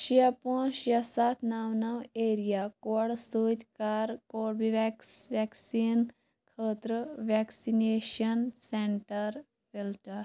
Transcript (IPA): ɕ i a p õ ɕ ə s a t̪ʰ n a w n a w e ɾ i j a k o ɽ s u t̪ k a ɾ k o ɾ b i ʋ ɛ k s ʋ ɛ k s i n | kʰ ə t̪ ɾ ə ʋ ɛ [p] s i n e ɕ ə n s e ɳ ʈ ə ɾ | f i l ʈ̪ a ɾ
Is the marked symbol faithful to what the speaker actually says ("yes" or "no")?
no